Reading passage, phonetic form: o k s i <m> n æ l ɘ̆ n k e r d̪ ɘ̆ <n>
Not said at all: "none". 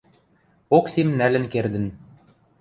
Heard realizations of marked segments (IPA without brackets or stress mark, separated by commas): m, n